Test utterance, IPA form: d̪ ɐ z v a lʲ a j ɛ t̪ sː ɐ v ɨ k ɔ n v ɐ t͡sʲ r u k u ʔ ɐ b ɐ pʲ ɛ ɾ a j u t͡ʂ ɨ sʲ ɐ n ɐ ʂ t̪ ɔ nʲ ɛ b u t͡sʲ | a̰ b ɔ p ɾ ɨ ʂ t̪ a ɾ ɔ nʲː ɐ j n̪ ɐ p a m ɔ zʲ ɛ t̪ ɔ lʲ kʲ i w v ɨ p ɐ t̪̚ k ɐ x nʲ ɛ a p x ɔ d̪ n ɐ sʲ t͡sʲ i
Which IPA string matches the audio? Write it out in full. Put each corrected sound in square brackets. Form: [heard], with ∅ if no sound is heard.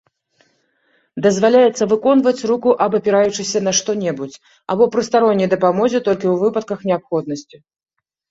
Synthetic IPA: d̪ ɐ z v a lʲ a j ɛ t̪ sː ɐ v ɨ k ɔ n v ɐ t͡sʲ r u k u ʔ ɐ b ɐ pʲ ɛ ɾ a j u t͡ʂ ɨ sʲ ɐ n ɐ ʂ t̪ ɔ nʲ ɛ b u t͡sʲ | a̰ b ɔ p ɾ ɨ [s] t̪ a ɾ ɔ nʲː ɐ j [d̪] ɐ p a m ɔ zʲ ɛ t̪ ɔ lʲ kʲ i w v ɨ p ɐ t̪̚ k ɐ x nʲ ɛ a p x ɔ d̪ n ɐ sʲ t͡sʲ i